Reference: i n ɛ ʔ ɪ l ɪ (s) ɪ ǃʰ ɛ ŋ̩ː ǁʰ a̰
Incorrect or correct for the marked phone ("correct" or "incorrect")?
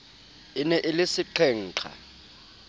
correct